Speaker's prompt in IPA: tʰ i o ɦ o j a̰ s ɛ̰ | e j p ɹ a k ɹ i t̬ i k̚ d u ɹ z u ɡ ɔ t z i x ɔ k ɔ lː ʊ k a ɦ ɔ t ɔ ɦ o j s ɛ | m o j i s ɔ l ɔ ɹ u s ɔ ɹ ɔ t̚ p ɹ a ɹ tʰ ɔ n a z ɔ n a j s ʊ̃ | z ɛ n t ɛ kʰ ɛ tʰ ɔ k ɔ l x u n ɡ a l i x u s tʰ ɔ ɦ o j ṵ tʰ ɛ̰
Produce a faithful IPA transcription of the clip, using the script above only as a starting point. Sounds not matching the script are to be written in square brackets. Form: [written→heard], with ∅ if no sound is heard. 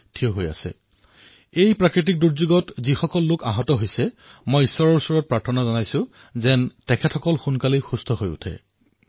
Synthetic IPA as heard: tʰ i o ɦ o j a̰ s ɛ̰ | e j p ɹ a k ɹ i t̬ i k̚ d u ɹ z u ɡ ɔ t z i x ɔ k ɔ lː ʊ k a ɦ ɔ t ɔ ɦ o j s ɛ | m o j i s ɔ [l→ɹ] ɔ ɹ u s ɔ ɹ ɔ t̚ p ɹ a ɹ tʰ ɔ n a z ɔ n a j s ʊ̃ | z ɛ n t ɛ kʰ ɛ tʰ ɔ k ɔ l x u n [ɡ→k] a l i x u s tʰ ɔ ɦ o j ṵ tʰ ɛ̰